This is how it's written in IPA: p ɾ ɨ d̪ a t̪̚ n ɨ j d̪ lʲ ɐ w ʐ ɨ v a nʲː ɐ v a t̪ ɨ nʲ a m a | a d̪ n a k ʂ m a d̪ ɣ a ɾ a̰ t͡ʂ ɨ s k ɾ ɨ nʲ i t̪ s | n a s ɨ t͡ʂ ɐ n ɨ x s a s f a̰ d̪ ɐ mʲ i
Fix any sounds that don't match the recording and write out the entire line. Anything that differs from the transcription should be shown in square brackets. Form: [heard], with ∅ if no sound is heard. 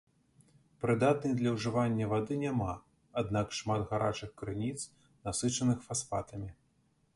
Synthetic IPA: p ɾ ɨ d̪ a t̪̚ n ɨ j d̪ lʲ ɐ w ʐ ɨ v a nʲː ɐ v a [d̪] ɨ nʲ a m a | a d̪ n a k ʂ m a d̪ ɣ a ɾ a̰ t͡ʂ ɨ [x] k ɾ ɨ nʲ i t̪ s | n a s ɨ t͡ʂ ɐ n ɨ x [f] a s f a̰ [t̪] ɐ mʲ i

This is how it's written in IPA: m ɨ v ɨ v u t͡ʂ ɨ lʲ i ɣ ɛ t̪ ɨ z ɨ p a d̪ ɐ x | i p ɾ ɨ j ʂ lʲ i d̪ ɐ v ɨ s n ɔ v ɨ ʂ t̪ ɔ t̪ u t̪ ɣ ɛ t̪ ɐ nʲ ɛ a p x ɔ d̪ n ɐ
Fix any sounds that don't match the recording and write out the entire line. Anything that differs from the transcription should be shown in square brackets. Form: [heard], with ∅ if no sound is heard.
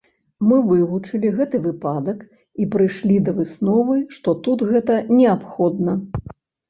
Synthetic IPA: m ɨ v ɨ v u t͡ʂ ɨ lʲ i ɣ ɛ t̪ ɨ [v] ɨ p a d̪ ɐ [k] | i p ɾ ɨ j ʂ lʲ i d̪ ɐ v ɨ s n ɔ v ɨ ʂ t̪ ɔ t̪ u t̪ ɣ ɛ t̪ ɐ nʲ ɛ a p x ɔ d̪ n ɐ

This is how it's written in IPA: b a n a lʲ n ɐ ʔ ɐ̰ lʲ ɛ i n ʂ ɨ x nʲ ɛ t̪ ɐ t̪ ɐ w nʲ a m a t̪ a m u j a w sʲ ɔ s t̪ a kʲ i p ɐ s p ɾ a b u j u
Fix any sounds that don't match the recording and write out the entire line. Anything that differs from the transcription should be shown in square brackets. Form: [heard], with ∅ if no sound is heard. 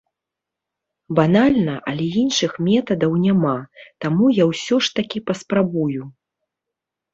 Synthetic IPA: b a n a lʲ n ɐ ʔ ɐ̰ lʲ ɛ i n ʂ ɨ x [mʲ] ɛ t̪ ɐ [d̪] ɐ w nʲ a m a t̪ a m u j a w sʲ ɔ [ʂ] t̪ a kʲ i p ɐ s p ɾ a b u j u

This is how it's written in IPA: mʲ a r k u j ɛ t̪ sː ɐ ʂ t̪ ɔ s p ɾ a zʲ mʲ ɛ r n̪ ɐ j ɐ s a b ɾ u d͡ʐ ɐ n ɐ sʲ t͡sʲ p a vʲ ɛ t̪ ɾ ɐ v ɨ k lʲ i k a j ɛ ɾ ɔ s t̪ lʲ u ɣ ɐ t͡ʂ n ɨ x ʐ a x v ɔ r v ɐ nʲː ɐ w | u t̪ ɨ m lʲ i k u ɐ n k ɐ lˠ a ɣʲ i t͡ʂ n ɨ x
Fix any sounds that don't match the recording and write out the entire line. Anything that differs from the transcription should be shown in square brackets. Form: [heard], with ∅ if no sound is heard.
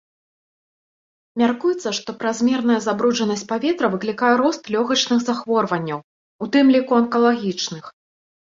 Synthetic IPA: mʲ a r k u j ɛ t̪ sː ɐ ʂ t̪ ɔ [∅] p ɾ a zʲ mʲ ɛ r n̪ ɐ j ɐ [z] a b ɾ u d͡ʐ ɐ n ɐ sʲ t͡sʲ p a vʲ ɛ t̪ ɾ ɐ v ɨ k lʲ i k a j ɛ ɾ ɔ s t̪ lʲ [ɔ] ɣ ɐ t͡ʂ n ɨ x [z] a x v ɔ r v ɐ nʲː ɐ w | u t̪ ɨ m lʲ i k u ɐ n k ɐ lˠ a ɣʲ i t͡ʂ n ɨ x

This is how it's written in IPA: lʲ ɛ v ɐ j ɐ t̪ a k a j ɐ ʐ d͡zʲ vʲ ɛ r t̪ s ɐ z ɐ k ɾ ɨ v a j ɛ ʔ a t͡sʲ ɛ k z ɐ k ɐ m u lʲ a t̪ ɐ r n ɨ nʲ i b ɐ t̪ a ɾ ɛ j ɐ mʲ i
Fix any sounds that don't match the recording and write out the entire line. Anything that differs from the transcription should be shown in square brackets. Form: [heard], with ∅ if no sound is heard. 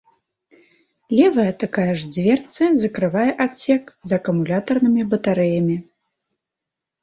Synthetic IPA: lʲ ɛ v ɐ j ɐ t̪ a k a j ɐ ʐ d͡zʲ vʲ ɛ r t̪ s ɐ z ɐ k ɾ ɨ v a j ɛ ʔ a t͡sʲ ɛ k z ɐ k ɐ m u lʲ a t̪ ɐ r n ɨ [mʲ] i b ɐ t̪ a ɾ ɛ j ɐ mʲ i

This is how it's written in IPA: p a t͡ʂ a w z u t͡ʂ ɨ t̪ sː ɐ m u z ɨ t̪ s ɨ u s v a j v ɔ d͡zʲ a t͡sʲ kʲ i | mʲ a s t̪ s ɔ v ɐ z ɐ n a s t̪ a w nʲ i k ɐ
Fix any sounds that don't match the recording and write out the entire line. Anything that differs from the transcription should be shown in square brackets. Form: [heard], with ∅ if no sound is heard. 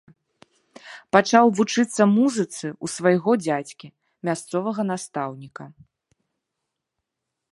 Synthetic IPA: p a t͡ʂ a w [v] u t͡ʂ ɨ t̪ sː ɐ m u z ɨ t̪ s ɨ u s v a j [ɣ] ɔ d͡zʲ a t͡sʲ kʲ i | mʲ a s t̪ s ɔ v ɐ [ɣ] ɐ n a s t̪ a w nʲ i k ɐ

